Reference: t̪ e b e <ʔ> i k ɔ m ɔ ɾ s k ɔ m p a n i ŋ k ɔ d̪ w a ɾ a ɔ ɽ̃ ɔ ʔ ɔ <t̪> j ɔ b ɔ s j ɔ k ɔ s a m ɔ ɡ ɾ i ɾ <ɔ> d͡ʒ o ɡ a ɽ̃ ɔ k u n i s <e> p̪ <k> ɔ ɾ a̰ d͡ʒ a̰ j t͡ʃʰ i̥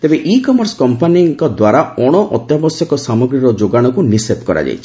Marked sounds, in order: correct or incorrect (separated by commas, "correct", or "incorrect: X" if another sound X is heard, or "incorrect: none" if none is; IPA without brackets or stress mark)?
correct, correct, correct, correct, correct